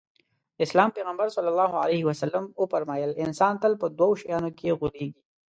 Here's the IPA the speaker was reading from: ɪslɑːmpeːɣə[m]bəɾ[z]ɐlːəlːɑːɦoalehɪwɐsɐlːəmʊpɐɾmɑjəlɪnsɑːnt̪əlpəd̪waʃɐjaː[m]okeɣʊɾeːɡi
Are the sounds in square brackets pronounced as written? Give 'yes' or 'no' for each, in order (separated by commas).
yes, no, no